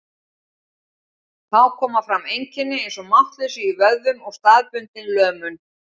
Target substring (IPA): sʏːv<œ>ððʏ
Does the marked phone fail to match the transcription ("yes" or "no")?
no